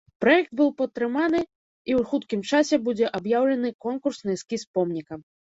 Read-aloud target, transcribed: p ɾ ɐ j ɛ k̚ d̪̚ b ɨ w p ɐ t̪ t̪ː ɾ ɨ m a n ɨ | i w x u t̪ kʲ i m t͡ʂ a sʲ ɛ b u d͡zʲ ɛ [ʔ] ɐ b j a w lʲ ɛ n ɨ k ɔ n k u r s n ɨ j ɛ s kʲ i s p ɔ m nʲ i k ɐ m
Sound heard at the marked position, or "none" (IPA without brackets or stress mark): ʔ